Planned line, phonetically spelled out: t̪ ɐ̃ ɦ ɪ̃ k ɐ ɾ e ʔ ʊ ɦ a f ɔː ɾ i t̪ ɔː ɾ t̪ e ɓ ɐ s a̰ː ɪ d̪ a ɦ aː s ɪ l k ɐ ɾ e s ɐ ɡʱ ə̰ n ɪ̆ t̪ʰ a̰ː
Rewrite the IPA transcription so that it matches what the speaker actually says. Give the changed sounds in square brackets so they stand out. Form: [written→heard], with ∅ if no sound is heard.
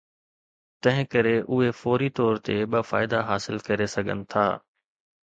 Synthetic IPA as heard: t̪ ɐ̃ ɦ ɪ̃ k ɐ ɾ e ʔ ʊ ɦ [a→e] f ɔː ɾ i t̪ ɔː ɾ t̪ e ɓ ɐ [s→f] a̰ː ɪ d̪ a ɦ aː s ɪ l k ɐ ɾ e s ɐ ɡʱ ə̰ n ɪ̆ t̪ʰ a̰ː